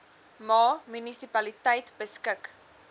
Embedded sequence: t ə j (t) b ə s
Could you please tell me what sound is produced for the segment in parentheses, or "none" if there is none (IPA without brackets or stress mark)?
t